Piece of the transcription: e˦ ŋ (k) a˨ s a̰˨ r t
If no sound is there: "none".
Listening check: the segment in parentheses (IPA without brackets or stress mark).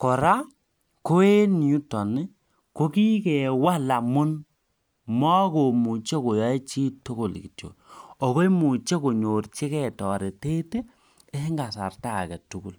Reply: ɡ